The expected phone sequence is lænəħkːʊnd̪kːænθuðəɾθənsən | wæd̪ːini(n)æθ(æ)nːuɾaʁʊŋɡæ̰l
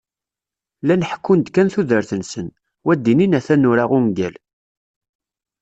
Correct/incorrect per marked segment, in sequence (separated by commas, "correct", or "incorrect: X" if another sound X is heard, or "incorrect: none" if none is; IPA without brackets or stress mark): correct, correct